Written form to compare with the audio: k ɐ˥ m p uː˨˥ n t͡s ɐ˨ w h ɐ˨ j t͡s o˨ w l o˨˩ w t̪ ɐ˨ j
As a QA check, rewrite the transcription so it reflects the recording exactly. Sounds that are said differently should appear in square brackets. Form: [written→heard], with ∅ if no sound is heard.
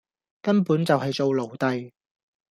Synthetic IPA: k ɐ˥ [m→n] p uː˨˥ n t͡s ɐ˨ w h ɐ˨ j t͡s o˨ w l o˨˩ w t̪ ɐ˨ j